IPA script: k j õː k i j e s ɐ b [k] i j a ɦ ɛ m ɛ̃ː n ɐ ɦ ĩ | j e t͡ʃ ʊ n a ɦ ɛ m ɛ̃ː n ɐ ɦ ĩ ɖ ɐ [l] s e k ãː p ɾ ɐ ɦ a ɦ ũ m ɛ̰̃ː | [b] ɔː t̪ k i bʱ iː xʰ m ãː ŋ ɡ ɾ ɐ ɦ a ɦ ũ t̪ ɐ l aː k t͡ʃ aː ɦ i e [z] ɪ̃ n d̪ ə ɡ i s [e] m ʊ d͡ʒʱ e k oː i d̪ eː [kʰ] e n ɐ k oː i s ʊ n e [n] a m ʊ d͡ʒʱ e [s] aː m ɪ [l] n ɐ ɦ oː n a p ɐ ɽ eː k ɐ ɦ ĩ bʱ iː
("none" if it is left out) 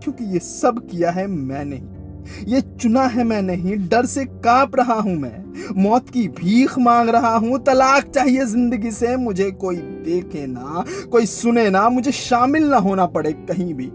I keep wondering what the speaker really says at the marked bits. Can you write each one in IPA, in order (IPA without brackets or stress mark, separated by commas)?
k, ɾ, m, z, e, kʰ, n, ʃ, l